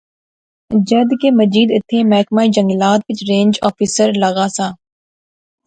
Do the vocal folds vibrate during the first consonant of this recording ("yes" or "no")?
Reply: yes